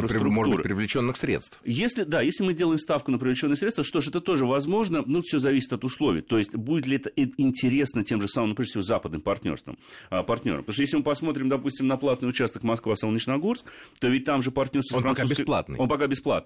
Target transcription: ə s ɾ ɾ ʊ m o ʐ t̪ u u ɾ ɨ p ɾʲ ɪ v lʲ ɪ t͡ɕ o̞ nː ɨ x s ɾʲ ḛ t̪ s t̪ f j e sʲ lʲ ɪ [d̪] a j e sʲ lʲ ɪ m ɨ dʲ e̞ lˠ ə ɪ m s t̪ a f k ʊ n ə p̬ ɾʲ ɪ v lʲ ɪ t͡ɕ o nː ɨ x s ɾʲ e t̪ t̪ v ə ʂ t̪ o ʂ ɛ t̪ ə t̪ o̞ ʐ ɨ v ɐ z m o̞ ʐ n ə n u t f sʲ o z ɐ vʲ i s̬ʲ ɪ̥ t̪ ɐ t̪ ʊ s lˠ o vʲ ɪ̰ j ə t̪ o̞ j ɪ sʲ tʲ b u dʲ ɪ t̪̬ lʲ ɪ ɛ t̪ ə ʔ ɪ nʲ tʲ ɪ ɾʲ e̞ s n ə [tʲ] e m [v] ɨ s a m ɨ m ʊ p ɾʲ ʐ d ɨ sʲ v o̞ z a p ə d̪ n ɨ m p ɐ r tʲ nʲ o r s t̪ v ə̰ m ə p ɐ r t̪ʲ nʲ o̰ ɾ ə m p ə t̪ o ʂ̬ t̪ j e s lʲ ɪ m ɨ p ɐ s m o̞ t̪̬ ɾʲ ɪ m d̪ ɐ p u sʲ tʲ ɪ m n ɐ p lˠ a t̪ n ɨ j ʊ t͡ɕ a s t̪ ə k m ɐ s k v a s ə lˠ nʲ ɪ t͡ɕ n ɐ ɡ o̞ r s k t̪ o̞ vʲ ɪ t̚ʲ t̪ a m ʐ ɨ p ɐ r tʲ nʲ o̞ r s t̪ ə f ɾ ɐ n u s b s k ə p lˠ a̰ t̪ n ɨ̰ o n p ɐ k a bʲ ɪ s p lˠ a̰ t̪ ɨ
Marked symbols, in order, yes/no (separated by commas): yes, yes, no